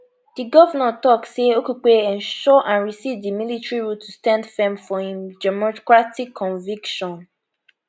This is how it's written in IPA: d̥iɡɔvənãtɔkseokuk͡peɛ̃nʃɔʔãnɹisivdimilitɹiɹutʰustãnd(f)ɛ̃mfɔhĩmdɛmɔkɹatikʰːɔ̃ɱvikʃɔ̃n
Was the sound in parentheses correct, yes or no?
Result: yes